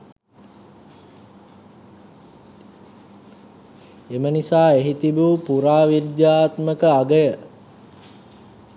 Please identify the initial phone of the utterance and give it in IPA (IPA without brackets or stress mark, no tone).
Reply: e